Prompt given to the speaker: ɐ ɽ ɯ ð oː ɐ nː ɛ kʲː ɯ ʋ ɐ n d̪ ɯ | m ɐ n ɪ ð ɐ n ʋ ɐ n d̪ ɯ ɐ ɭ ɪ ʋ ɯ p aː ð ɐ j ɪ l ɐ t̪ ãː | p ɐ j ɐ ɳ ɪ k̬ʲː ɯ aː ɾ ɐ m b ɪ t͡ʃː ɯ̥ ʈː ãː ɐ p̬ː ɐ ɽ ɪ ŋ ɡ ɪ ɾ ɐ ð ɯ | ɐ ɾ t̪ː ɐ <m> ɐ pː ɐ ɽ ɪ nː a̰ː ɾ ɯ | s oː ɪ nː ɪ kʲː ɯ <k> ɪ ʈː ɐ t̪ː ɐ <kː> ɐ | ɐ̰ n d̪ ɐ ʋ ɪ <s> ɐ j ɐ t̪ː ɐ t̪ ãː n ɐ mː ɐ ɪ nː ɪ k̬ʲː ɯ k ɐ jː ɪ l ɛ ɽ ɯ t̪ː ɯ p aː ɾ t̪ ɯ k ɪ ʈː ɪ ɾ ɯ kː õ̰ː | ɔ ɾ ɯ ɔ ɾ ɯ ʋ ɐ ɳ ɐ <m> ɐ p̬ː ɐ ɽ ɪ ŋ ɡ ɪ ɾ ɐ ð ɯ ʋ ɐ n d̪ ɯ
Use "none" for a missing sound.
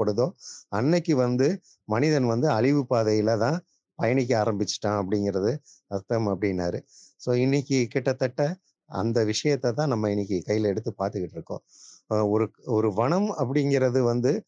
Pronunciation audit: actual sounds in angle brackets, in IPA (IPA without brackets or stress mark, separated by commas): m, k, ʈː, ʂ, m